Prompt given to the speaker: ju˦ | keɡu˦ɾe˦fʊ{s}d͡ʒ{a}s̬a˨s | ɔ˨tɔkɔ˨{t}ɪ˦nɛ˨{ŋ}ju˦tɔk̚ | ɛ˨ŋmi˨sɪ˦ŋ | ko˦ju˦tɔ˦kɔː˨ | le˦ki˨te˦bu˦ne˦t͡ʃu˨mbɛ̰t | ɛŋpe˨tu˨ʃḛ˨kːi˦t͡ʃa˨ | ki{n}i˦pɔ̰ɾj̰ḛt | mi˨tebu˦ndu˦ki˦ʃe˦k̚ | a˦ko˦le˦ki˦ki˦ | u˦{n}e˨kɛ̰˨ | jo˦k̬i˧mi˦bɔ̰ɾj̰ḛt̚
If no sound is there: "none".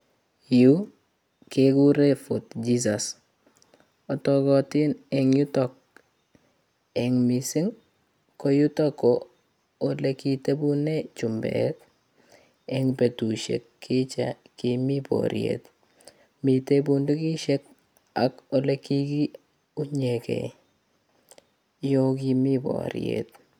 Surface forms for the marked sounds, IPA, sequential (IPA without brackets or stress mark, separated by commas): t, i, t, ŋ, m, ɲ